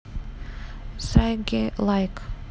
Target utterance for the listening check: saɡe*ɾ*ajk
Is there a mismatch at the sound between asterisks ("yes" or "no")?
yes